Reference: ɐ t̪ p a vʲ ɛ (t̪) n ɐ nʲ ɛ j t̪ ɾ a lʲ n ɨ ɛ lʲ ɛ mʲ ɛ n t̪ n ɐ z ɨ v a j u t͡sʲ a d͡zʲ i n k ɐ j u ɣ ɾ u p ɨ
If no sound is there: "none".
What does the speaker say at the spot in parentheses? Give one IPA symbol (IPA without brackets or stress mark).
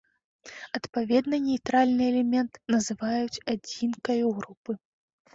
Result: d̪